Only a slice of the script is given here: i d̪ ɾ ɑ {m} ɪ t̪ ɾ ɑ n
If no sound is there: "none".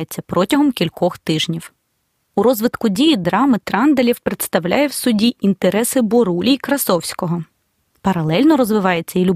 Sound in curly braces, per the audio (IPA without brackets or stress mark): m